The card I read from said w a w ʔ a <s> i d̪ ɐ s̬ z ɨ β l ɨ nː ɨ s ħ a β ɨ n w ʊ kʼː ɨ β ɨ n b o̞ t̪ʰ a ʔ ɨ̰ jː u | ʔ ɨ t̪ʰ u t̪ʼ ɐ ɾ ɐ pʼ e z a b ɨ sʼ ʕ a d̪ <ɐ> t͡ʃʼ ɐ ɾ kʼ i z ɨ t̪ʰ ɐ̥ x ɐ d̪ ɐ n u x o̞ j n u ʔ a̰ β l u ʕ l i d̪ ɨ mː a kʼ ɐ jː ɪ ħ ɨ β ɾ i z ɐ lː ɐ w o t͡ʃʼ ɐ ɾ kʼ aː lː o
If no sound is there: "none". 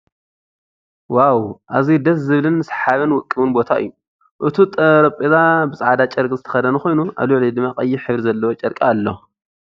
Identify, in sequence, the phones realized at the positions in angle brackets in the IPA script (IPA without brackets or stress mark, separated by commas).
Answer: z, a